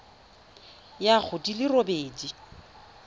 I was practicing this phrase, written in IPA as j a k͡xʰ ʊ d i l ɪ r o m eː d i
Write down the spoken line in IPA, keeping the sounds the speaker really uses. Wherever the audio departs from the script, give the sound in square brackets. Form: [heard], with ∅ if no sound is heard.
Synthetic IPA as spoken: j a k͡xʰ ʊ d i l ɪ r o [b] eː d i